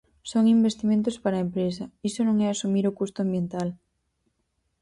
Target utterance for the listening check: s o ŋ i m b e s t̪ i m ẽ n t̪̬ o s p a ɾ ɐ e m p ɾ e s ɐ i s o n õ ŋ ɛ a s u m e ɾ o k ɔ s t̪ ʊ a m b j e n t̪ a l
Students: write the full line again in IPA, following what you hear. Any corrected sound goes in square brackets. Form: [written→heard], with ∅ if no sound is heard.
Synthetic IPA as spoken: s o ŋ i m b e s t̪ i m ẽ n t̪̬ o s p a ɾ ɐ e m p ɾ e s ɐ i s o n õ ŋ ɛ a s u m [e→i] ɾ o k [ɔ→u] s t̪ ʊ a m b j e n t̪ a l